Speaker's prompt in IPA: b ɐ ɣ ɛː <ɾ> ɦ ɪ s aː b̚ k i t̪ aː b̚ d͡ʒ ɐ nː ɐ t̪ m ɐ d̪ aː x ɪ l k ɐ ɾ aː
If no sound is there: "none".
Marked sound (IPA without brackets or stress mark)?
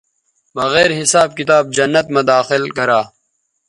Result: ɾ